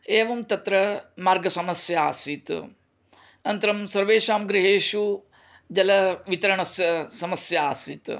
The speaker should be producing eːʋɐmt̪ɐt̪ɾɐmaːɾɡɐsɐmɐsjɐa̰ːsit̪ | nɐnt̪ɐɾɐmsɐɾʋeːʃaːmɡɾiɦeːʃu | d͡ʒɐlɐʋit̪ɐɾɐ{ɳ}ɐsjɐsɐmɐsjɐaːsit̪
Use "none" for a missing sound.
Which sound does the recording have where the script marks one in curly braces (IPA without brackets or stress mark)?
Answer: ɳ